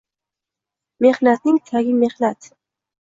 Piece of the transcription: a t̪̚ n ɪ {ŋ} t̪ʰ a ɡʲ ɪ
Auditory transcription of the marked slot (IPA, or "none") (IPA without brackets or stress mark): ŋ